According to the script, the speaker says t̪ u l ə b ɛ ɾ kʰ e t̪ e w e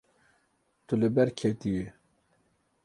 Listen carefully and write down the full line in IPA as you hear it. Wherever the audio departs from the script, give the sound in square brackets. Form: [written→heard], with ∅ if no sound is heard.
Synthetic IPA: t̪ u l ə b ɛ ɾ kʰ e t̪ [e→i] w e